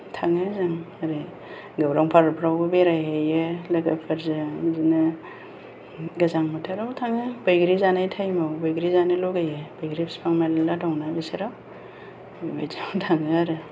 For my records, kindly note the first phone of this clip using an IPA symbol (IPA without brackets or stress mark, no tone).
tʰ